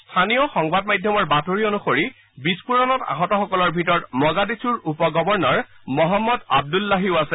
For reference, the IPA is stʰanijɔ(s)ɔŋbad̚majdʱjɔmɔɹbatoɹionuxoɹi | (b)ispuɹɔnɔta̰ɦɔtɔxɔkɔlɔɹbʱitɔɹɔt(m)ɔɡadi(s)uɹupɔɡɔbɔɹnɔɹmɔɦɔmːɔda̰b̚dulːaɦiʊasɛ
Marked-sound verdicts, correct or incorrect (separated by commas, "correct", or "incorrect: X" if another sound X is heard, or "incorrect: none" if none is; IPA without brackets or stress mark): incorrect: x, correct, correct, correct